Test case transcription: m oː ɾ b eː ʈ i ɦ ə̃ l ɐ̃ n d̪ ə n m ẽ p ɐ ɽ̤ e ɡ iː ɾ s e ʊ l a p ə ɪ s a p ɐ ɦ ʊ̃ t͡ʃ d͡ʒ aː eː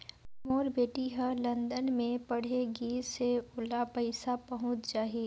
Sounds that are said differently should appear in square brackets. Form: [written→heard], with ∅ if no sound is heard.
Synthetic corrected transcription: m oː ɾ b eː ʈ i ɦ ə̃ l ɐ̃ n d̪ ə n m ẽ p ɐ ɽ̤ e ɡ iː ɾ s e ʊ l a p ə ɪ s a p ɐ ɦ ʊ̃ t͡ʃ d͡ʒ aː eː